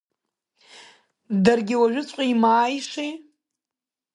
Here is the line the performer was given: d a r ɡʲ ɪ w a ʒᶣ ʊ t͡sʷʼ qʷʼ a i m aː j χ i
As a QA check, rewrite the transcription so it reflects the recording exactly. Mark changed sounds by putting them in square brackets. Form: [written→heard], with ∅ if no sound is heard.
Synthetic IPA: d a r ɡʲ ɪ w a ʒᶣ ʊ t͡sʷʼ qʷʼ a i m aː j [χ→ʂ] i